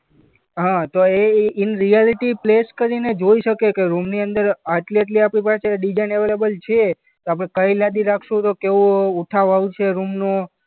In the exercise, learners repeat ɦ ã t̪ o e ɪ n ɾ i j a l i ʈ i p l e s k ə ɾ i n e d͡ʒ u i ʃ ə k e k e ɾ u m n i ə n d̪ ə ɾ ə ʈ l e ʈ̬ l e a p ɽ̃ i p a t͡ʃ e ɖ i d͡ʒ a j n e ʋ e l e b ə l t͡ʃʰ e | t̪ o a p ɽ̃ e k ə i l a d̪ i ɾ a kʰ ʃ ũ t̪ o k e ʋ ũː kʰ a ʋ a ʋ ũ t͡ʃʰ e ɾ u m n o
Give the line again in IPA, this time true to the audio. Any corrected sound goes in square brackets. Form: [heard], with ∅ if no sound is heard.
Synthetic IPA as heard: ɦ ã t̪ o e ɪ n ɾ i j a l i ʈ i p l e s k ə ɾ i n e d͡ʒ [o] i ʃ ə k e k e ɾ u m n i ə n d̪ ə ɾ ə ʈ l e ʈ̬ l [i] a p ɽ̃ i p a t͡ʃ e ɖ i d͡ʒ a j n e ʋ e l e b ə l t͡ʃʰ e | t̪ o a p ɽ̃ e k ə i l a d̪ i ɾ a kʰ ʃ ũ t̪ o k e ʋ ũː [ʈʰ] a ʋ a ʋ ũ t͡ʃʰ e ɾ u m n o

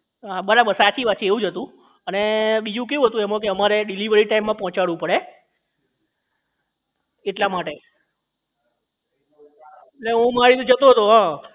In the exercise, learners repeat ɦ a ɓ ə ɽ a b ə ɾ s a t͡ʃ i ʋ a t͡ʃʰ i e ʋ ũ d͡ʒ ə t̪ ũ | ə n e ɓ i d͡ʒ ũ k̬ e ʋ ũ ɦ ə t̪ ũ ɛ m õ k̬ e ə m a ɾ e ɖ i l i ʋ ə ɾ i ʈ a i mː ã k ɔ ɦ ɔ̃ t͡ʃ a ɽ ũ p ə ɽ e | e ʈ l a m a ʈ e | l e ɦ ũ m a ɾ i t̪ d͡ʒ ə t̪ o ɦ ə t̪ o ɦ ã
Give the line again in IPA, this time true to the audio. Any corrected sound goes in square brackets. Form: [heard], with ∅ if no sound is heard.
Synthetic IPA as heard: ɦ a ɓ ə [ɾ] a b ə ɾ s a t͡ʃ i ʋ a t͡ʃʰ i e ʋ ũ d͡ʒ ə t̪ ũ | ə n e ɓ i d͡ʒ ũ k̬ e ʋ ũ ɦ ə t̪ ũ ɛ m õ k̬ e ə m a ɾ e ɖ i l i ʋ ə ɾ i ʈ a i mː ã [p] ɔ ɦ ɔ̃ t͡ʃ a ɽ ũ p ə ɽ e | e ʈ l a m a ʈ e | l e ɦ ũ m a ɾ i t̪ d͡ʒ ə t̪ o ɦ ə t̪ o ɦ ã

